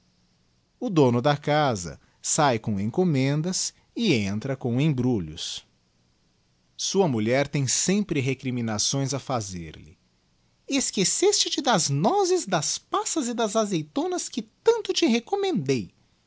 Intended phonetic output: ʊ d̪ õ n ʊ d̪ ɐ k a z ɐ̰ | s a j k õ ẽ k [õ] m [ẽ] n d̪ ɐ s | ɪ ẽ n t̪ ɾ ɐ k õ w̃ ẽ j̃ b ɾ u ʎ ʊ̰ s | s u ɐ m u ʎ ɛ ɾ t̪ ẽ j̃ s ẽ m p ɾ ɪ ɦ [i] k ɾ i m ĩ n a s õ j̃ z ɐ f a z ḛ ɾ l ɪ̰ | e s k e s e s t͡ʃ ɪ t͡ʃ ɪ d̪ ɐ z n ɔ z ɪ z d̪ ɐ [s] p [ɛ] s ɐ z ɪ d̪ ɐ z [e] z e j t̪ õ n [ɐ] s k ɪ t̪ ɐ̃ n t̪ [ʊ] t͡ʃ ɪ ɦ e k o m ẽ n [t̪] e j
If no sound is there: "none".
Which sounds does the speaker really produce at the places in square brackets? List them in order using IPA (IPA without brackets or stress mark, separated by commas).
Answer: o, ẽ, e, s, a, a, ɐ, ʊ, d̪